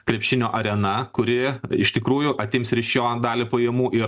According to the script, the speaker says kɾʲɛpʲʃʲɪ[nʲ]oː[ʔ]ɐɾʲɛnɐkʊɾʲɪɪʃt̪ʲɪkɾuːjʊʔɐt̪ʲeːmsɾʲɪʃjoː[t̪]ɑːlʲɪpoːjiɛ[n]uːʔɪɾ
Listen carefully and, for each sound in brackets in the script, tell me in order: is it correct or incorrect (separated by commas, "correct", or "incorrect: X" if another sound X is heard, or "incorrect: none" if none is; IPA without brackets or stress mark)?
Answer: correct, correct, incorrect: d̪, incorrect: m